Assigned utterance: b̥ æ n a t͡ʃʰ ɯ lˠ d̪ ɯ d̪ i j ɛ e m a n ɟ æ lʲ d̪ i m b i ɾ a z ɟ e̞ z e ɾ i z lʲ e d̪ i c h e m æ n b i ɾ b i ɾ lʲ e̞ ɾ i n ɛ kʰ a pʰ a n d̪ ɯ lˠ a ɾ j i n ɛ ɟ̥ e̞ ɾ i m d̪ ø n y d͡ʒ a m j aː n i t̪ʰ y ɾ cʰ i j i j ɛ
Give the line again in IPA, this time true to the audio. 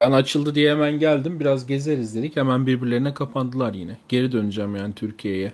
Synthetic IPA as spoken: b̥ æ n a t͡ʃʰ ɯ lˠ d̪ ɯ d̪ i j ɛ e m æ n ɟ æ lʲ d̪ i m b i ɾ a z ɟ e̞ z e ɾ i z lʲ e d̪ i c h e m æ n b i ɾ b i ɾ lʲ e̞ ɾ i n ɛ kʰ a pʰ a n d̪ ɯ lˠ a ɾ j i n ɛ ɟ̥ e̞ ɾ i d̪ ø n y d͡ʒ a m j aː n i t̪ʰ y ɾ cʰ i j e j ɛ